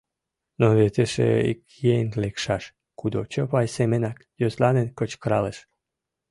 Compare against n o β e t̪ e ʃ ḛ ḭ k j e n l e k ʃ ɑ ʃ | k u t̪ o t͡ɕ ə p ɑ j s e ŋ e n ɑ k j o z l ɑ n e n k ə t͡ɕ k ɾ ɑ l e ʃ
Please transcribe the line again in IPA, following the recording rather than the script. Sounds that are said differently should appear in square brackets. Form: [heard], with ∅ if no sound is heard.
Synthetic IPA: n o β e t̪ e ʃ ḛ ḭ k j e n l e k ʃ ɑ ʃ | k u [d̪] o t͡ɕ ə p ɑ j s e [m] e n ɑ k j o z l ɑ n e n k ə t͡ɕ k ɾ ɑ l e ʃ